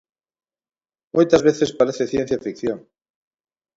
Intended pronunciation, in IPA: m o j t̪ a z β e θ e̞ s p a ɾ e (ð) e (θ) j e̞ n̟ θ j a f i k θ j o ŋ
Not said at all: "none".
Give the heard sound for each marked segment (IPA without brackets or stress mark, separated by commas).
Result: θ, θ